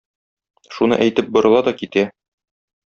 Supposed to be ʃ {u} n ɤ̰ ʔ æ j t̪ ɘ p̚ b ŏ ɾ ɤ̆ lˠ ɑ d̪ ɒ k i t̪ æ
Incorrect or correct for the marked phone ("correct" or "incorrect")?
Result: correct